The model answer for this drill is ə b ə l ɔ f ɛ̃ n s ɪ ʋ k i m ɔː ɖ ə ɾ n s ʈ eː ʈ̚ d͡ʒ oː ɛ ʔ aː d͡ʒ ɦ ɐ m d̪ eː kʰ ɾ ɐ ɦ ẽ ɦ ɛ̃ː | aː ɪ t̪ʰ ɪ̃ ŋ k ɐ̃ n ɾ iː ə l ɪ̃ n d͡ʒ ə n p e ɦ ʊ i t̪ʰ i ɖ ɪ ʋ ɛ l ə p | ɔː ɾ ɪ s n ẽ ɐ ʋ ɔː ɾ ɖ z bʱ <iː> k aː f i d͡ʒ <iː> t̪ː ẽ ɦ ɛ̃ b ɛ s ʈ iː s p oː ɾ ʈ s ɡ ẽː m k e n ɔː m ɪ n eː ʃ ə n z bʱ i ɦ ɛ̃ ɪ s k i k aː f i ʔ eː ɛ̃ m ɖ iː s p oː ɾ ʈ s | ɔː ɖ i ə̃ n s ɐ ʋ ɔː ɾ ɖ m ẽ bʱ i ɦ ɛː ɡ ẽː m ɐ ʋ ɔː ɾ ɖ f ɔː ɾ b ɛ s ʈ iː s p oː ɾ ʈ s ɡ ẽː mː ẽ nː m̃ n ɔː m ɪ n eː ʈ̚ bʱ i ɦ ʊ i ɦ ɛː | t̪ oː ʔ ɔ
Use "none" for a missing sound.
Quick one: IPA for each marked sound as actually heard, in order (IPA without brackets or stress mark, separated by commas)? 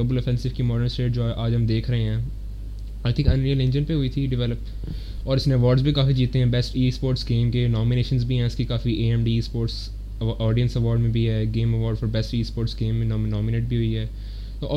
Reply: i, iː